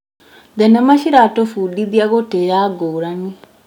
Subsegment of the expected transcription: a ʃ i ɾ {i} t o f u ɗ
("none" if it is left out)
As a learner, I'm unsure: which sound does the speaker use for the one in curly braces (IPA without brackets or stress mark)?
a